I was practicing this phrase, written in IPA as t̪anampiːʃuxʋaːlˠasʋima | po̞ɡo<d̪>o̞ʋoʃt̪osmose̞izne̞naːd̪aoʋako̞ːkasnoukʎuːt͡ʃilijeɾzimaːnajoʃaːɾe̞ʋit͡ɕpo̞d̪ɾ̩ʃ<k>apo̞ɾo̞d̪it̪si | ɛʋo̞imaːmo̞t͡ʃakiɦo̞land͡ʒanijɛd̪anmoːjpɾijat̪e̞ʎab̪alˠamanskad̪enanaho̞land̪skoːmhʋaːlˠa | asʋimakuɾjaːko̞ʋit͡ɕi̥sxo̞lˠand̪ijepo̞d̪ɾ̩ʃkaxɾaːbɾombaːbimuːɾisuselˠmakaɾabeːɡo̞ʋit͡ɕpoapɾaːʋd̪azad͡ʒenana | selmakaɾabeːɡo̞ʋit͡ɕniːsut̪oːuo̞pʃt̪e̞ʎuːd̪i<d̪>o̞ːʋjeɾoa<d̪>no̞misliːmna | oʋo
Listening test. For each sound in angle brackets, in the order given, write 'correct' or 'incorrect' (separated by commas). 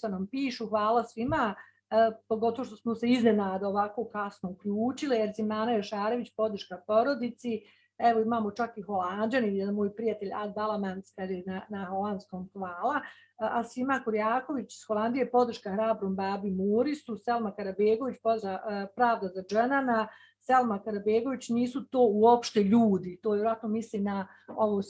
incorrect, correct, incorrect, incorrect